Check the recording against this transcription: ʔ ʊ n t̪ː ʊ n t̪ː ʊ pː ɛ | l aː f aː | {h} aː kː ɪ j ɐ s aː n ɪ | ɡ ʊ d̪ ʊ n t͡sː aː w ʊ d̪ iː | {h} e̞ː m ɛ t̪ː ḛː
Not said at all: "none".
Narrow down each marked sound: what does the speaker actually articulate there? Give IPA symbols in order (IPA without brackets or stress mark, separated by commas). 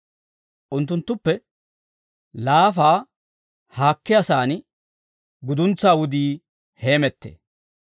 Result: h, h